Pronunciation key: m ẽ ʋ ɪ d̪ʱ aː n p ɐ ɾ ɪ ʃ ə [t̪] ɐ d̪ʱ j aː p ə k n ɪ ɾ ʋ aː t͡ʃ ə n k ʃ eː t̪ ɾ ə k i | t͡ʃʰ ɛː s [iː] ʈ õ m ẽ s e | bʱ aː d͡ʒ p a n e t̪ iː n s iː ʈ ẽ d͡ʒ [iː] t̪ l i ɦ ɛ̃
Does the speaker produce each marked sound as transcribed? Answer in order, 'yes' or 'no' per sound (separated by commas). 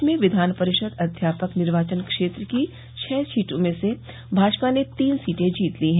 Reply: no, yes, yes